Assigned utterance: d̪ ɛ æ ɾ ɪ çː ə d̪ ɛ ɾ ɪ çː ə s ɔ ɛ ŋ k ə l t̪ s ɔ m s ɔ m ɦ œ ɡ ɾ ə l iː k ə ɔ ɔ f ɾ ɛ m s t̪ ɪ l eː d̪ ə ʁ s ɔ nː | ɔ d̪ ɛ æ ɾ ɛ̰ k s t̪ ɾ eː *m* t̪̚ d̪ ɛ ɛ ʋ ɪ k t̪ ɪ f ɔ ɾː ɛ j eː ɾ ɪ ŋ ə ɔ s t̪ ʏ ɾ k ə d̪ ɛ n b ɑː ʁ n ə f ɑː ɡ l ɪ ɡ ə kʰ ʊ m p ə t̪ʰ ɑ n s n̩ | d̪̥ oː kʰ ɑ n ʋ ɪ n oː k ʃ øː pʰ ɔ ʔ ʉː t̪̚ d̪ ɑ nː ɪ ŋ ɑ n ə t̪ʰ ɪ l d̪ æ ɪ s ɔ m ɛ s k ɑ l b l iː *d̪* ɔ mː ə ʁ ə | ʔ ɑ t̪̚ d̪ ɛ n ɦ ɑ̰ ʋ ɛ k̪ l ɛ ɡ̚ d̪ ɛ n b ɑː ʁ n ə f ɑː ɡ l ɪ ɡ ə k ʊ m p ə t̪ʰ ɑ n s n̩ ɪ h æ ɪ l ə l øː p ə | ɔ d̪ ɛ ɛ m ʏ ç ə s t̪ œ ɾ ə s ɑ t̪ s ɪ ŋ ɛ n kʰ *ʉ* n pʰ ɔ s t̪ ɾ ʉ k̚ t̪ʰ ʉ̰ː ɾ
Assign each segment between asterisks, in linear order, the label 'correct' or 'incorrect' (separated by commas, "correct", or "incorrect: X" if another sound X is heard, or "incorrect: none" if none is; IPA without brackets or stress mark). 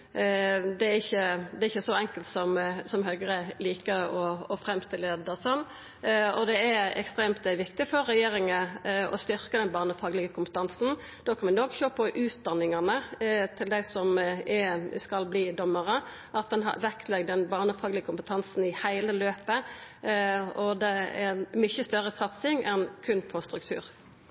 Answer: correct, correct, correct